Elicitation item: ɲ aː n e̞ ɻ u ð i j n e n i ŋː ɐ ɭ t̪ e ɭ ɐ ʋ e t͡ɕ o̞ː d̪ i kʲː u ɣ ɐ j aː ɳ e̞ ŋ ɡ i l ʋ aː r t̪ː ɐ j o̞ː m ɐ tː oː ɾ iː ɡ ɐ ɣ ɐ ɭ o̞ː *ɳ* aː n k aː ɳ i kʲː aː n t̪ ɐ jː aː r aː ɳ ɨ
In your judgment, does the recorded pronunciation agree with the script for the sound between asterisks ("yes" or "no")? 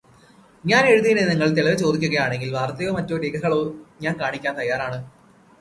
no